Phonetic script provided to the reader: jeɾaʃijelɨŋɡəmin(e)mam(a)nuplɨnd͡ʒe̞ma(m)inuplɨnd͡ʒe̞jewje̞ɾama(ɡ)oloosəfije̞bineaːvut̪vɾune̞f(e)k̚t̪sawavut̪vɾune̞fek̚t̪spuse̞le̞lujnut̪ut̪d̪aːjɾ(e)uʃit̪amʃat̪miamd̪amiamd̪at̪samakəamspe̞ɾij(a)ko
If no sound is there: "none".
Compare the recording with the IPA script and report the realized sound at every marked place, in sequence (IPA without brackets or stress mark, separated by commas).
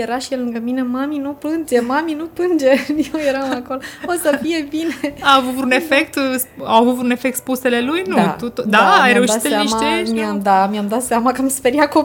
e, i, m, k, e, e, a